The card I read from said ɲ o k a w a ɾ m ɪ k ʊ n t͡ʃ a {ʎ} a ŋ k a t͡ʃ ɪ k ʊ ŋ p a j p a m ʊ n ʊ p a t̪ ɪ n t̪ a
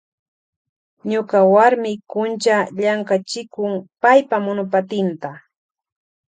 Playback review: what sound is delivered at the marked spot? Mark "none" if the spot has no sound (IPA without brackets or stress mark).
ʎ